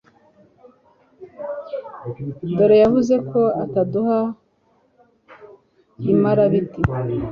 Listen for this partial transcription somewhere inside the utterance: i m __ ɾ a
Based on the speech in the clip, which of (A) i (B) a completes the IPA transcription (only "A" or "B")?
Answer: B